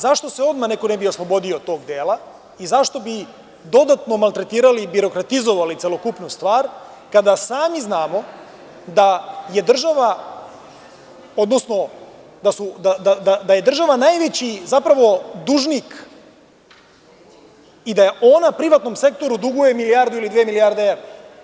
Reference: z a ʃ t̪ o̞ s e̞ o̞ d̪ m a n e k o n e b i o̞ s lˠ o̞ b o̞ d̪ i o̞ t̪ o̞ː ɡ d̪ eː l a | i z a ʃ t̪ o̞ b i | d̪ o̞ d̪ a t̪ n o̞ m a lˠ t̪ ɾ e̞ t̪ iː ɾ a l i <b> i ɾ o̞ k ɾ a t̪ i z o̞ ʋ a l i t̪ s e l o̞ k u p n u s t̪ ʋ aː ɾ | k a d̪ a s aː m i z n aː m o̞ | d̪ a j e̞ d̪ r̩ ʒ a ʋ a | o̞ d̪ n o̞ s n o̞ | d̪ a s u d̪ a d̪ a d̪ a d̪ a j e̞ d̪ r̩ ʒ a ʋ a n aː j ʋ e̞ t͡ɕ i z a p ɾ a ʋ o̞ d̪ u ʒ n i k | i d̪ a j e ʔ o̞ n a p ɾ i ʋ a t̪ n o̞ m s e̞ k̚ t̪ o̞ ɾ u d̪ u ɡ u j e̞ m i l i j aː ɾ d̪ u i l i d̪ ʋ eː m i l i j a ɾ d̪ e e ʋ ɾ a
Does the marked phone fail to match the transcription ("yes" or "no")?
no